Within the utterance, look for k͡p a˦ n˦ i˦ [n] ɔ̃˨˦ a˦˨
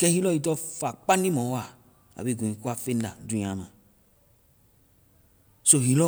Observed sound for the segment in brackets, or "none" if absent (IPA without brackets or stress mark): m